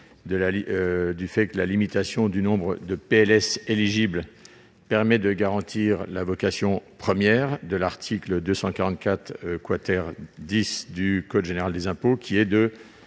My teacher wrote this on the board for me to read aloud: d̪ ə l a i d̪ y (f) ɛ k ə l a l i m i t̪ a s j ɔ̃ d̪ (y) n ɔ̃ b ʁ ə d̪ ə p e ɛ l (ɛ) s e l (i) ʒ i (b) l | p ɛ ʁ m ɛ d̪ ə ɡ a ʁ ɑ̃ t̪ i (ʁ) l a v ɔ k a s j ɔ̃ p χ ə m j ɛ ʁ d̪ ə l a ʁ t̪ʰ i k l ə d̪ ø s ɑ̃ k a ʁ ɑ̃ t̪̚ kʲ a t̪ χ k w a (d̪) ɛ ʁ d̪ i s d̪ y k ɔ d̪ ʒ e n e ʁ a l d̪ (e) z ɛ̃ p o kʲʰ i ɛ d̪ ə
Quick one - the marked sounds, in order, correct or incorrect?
correct, correct, correct, correct, correct, correct, incorrect, correct

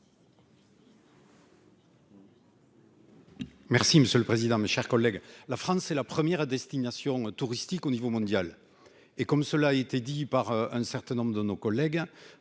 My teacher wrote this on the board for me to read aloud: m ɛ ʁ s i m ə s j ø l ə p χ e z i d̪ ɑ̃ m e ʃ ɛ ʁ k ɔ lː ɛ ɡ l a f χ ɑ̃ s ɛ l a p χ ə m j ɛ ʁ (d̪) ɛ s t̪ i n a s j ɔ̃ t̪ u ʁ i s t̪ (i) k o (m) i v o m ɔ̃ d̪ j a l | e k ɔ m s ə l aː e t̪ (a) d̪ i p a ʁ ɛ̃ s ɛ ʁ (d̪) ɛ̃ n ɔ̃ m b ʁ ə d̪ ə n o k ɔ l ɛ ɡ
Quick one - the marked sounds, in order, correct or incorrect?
correct, correct, incorrect, incorrect, incorrect

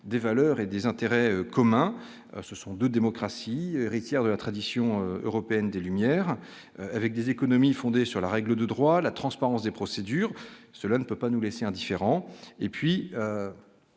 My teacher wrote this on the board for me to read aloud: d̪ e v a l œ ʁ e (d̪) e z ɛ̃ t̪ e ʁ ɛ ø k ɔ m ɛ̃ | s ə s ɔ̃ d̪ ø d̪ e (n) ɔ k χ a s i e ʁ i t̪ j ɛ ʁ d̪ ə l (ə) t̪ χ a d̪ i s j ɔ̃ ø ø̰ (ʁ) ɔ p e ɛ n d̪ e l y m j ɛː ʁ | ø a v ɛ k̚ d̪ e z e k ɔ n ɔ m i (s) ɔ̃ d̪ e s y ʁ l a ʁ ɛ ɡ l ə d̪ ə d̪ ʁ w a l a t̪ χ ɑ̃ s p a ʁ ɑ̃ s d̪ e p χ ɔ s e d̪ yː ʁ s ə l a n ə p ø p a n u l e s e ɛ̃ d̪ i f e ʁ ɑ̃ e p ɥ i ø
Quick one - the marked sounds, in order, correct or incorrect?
correct, incorrect, incorrect, correct, incorrect

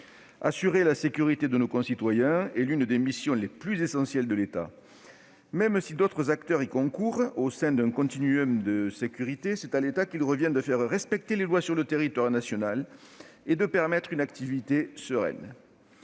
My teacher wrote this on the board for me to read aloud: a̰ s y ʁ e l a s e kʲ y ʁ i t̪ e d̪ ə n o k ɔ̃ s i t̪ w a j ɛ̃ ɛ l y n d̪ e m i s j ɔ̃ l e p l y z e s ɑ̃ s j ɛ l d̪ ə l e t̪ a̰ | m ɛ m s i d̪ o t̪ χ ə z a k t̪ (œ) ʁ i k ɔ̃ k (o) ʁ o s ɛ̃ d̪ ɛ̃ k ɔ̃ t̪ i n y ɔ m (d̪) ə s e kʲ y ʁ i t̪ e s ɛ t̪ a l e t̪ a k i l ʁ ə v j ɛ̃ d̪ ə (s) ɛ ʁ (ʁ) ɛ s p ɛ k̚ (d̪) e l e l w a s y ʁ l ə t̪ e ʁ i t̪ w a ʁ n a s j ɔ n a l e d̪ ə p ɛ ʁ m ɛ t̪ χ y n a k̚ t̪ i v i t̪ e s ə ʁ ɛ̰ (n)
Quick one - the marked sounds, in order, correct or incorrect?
correct, incorrect, correct, incorrect, correct, incorrect, correct

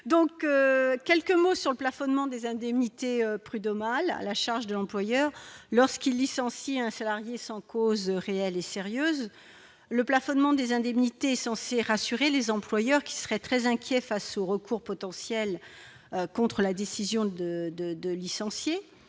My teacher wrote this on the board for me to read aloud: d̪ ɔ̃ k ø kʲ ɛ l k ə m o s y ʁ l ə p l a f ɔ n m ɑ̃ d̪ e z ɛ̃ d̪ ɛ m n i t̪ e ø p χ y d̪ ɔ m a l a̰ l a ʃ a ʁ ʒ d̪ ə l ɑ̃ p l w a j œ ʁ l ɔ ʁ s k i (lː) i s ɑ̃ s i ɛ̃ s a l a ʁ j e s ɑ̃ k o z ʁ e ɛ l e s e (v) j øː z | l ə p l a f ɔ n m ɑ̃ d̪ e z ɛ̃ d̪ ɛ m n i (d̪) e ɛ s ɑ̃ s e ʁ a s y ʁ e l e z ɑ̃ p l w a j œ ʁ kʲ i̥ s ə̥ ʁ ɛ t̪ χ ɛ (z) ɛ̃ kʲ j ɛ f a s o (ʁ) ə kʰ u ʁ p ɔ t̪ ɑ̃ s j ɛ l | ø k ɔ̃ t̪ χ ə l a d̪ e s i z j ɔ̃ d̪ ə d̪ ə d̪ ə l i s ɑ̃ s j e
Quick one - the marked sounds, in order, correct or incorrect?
correct, incorrect, incorrect, correct, correct

